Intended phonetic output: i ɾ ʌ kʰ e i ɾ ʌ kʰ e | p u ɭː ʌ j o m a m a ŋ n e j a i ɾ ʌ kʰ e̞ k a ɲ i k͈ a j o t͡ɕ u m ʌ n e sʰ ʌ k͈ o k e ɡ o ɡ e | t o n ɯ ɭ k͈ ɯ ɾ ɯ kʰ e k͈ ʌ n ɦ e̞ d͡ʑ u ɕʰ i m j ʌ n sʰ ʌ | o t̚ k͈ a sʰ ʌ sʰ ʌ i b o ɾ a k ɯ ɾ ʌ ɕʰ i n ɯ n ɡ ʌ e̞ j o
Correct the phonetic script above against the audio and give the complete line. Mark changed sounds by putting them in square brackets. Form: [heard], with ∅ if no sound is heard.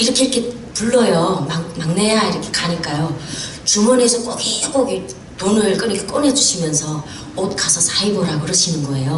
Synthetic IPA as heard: i ɾ ʌ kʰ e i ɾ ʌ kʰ e | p u ɭː ʌ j o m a m a ŋ n e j a i ɾ ʌ kʰ e̞ k a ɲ i k͈ a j o t͡ɕ u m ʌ n e sʰ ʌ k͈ o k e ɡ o ɡ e | t o n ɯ ɭ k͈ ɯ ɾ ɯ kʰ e k͈ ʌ n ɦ e̞ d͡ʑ u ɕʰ i m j ʌ n sʰ ʌ | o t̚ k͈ a sʰ ʌ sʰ [a] i b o ɾ a k ɯ ɾ ʌ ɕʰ i n ɯ n ɡ ʌ e̞ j o